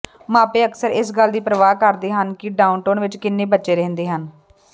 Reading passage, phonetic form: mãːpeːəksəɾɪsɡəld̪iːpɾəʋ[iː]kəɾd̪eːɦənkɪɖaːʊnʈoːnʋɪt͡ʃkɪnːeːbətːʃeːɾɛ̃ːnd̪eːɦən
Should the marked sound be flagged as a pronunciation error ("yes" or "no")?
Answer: yes